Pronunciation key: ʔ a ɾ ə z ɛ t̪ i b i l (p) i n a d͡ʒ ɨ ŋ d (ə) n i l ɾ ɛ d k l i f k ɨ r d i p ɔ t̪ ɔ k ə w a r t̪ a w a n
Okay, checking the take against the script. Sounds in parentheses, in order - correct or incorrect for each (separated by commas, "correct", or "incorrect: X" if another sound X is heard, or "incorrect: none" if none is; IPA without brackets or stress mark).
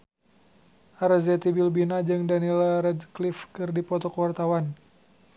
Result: incorrect: b, incorrect: a